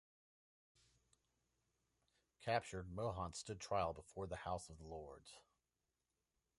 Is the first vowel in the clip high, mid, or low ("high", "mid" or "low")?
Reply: low